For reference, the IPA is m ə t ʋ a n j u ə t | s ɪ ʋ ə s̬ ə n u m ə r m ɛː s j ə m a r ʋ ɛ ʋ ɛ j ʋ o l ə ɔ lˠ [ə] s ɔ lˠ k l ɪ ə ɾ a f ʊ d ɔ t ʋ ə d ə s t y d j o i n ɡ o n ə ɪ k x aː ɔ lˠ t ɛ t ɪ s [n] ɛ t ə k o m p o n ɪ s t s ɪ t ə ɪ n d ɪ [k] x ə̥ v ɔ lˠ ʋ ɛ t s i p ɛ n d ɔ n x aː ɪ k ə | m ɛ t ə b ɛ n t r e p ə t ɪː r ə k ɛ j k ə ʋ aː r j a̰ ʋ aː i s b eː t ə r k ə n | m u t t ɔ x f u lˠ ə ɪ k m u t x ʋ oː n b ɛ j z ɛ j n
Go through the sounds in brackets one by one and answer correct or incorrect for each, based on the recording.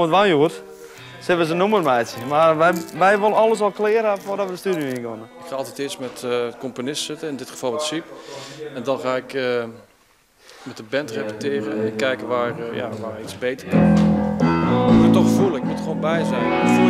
correct, incorrect: m, incorrect: t

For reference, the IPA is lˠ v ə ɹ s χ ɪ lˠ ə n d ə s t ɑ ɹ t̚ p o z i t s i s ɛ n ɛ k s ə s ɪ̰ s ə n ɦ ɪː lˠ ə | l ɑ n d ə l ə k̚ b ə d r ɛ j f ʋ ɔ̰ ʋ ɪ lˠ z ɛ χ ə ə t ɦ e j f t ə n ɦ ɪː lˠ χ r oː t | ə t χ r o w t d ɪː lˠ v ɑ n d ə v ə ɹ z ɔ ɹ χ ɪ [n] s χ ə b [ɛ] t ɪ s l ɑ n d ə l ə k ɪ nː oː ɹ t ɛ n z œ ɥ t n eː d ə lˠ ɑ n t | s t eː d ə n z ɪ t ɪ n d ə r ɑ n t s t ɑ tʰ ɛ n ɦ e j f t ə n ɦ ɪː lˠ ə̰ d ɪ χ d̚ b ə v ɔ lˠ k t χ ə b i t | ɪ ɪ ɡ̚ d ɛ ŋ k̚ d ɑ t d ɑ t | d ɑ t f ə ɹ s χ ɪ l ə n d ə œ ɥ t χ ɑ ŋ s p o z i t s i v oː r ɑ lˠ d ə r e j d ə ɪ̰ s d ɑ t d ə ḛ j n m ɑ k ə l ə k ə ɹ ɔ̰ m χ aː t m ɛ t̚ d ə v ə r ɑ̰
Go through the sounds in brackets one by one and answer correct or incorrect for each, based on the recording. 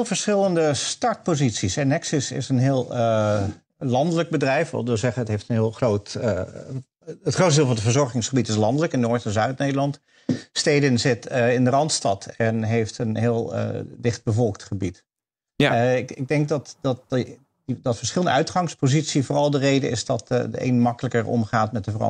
incorrect: ŋ, incorrect: i

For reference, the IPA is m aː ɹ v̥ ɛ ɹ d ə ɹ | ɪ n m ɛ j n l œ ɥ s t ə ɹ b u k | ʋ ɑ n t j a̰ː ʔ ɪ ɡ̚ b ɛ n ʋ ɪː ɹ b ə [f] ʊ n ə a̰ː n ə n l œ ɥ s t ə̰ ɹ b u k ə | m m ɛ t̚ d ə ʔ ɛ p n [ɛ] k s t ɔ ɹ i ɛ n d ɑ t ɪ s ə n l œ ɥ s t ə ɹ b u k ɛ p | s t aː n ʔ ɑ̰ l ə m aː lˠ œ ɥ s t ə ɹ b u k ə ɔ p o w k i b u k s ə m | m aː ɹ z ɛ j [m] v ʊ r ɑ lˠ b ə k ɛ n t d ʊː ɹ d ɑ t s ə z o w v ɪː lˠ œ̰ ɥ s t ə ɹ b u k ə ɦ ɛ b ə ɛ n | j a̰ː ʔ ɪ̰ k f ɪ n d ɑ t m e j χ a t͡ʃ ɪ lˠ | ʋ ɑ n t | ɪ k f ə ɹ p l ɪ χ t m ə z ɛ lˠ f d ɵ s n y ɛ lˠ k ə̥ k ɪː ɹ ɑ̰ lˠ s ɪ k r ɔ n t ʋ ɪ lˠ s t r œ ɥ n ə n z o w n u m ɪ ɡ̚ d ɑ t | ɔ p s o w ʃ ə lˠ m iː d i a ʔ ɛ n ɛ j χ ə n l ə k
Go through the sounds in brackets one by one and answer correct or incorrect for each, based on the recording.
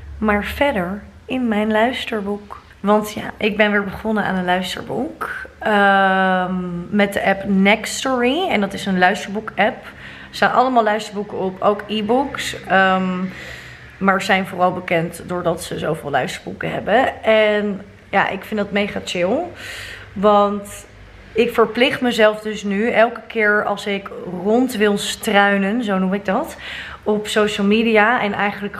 incorrect: χ, correct, incorrect: n

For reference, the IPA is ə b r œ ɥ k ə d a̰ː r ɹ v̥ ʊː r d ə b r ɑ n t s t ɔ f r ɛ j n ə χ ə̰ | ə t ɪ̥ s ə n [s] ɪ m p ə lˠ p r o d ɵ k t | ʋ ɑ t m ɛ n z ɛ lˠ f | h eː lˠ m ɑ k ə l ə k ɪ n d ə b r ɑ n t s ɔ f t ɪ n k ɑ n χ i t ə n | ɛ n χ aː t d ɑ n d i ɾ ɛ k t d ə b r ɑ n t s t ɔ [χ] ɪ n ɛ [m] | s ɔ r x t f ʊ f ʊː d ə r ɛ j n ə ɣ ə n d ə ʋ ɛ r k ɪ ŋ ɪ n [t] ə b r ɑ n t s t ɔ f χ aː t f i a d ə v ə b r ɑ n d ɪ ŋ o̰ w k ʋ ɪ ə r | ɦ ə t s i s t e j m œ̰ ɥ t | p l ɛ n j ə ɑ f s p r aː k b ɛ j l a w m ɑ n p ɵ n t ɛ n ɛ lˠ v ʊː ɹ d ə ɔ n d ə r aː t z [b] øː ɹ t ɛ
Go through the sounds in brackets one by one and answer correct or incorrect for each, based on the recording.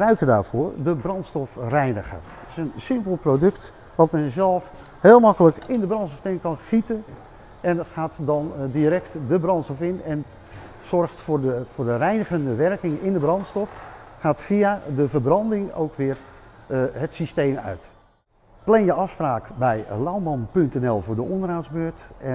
correct, incorrect: f, incorrect: n, incorrect: d, correct

